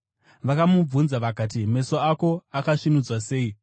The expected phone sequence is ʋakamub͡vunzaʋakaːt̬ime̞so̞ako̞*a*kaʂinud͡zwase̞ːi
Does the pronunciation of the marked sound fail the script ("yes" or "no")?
no